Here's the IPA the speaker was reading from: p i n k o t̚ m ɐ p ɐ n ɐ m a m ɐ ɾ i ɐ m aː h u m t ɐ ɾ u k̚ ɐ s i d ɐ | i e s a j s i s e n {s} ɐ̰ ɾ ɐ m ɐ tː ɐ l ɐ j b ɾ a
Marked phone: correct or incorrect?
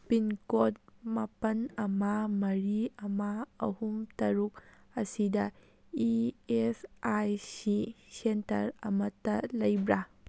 incorrect